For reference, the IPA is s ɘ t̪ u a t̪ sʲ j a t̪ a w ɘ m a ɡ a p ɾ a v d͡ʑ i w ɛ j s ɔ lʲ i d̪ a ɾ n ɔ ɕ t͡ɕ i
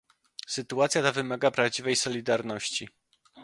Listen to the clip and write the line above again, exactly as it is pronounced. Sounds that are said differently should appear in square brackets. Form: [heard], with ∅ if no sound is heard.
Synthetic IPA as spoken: s ɘ t̪ u a t̪ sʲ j a t̪ a [v] ɘ m a ɡ a p ɾ a v d͡ʑ i [v] ɛ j s ɔ lʲ i d̪ a ɾ n ɔ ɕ t͡ɕ i